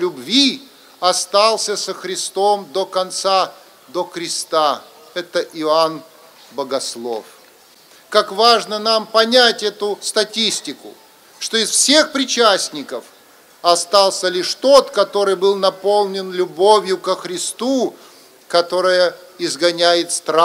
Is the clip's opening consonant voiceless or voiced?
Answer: voiced